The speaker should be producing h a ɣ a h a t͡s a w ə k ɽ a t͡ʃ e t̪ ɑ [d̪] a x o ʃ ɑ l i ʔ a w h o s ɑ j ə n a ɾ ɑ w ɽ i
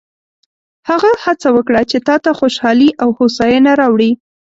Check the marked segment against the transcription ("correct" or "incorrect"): incorrect